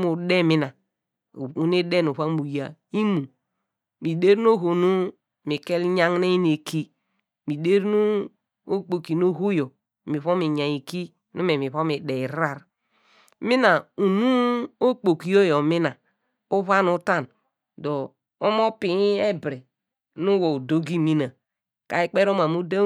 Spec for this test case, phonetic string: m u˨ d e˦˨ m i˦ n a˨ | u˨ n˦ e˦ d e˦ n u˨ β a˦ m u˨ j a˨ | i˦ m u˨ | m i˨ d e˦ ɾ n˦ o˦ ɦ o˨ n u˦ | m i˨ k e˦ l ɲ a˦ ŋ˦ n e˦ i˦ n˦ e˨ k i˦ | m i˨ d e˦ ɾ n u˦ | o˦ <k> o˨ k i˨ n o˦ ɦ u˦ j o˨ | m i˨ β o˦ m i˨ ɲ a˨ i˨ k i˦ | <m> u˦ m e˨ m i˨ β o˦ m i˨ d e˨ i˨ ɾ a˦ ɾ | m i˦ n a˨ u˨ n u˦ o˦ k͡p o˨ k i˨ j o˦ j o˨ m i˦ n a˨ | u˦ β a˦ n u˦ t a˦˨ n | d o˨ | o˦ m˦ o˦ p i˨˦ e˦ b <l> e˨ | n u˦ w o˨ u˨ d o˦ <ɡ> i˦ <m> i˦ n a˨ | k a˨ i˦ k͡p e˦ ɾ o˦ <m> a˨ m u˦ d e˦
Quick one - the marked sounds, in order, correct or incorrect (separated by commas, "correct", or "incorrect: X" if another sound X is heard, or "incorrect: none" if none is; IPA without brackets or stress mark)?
incorrect: k͡p, incorrect: n, incorrect: ɾ, correct, correct, correct